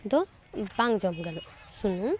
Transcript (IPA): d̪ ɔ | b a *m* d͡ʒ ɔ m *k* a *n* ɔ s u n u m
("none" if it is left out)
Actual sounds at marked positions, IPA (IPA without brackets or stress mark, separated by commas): ŋ, ɡ, n